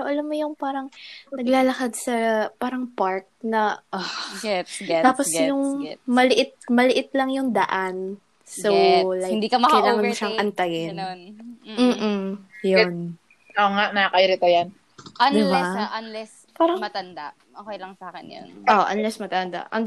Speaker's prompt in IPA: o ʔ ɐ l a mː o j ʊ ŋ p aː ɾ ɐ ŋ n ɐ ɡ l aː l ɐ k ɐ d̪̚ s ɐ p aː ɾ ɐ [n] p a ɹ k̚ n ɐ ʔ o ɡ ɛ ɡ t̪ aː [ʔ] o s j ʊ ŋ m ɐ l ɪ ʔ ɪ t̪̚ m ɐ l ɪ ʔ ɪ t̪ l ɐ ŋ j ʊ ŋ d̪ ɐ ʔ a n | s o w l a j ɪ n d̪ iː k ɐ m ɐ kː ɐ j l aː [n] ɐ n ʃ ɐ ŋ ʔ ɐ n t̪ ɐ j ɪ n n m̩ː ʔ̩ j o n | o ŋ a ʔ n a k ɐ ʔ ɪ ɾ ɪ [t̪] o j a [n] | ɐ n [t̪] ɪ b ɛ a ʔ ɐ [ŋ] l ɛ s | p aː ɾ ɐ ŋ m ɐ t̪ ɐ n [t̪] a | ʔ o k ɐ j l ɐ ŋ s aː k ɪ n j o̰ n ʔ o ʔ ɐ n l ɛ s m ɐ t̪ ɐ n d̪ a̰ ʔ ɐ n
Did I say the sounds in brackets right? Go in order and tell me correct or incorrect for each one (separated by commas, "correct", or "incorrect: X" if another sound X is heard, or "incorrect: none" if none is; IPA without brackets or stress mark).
incorrect: ŋ, incorrect: p, incorrect: ŋ, correct, correct, incorrect: d̪, incorrect: n, incorrect: d̪